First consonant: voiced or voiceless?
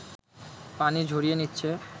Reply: voiceless